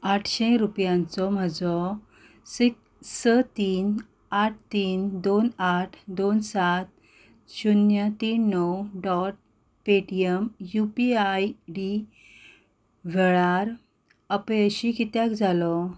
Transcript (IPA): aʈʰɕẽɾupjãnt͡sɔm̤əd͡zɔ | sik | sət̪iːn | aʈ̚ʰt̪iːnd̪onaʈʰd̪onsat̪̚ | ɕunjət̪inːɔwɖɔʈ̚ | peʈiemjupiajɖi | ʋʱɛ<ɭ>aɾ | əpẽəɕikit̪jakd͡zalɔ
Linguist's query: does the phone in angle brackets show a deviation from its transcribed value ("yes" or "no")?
no